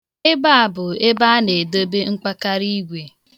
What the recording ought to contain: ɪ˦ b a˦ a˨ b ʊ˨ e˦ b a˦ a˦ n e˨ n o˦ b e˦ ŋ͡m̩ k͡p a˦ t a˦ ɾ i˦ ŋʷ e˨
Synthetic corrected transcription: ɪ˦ b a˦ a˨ b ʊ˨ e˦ b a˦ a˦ n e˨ d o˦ b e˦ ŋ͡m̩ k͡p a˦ k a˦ ɾ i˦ ɡʷ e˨